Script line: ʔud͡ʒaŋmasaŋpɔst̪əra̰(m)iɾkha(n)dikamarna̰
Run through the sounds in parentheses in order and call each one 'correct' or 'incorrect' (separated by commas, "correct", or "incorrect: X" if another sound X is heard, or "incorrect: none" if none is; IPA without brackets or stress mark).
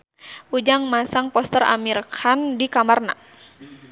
correct, correct